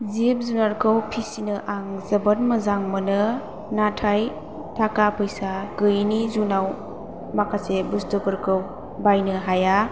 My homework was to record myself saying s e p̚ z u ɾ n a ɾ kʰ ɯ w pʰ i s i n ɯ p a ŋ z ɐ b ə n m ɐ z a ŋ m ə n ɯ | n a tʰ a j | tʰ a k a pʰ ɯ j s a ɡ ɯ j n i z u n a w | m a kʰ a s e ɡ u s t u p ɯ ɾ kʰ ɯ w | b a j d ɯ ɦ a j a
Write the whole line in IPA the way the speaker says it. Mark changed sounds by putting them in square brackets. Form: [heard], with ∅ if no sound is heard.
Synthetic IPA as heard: [z] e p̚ z u [∅] n a ɾ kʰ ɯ w pʰ i s i n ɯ [ʔ] a ŋ z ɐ b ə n m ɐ z a ŋ m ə n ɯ | n a tʰ a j | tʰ a k a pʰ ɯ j s a ɡ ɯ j n i z u n a w | m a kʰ a s e [b] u s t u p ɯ ɾ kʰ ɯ w | b a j [n] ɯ ɦ a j a